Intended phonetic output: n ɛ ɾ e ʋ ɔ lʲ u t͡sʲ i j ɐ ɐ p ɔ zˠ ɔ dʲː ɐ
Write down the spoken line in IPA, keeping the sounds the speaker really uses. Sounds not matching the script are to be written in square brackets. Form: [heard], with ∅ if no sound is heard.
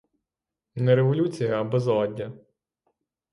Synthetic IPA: n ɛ ɾ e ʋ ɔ lʲ u t͡sʲ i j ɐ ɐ [b] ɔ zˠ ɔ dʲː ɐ